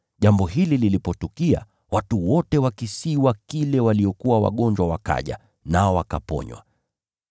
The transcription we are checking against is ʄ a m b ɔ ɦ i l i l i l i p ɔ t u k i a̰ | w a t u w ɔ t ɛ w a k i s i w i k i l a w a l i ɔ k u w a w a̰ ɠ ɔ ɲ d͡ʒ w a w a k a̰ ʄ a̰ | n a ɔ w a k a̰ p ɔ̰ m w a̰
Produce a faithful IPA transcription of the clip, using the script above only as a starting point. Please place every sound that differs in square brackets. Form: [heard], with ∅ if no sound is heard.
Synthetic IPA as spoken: ʄ a m b ɔ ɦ i l i l i l i p ɔ t u k i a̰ | w a t u w ɔ t ɛ w a k i s i w [a] k i l [ɛ] w a l i ɔ k u w a w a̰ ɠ ɔ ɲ d͡ʒ w a w a k a̰ ʄ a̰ | n a ɔ w a k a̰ p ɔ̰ [ɲ] w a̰